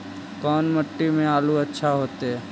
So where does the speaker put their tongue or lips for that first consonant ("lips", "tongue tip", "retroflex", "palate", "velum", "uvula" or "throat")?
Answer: velum